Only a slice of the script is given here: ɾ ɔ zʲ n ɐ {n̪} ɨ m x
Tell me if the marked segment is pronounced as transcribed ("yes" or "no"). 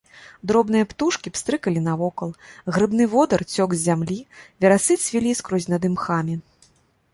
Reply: no